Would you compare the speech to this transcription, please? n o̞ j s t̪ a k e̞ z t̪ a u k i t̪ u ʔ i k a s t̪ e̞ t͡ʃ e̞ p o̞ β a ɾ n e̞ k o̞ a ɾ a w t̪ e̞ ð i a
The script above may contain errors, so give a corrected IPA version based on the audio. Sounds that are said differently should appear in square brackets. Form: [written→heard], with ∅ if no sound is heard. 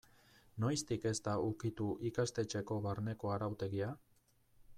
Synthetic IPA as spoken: n o̞ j s t̪ [a→i] k e̞ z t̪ a u k i t̪ u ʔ i k a s t̪ e̞ t͡ʃ e̞ [p→k] o̞ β a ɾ n e̞ k o̞ a ɾ a w t̪ e̞ [ð→ɣ] i a